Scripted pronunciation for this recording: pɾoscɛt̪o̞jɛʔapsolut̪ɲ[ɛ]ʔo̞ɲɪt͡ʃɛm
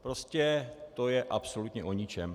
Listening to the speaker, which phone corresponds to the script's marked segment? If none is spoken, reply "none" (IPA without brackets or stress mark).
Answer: ɛ